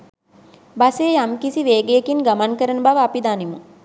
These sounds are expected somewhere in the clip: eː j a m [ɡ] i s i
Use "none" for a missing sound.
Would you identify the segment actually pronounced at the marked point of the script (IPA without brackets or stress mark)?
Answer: k